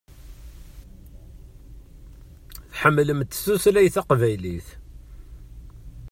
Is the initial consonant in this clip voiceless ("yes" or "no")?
yes